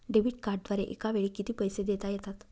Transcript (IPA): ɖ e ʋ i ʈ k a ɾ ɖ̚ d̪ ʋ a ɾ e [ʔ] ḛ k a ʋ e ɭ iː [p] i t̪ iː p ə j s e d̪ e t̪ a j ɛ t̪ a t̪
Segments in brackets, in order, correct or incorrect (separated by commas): correct, incorrect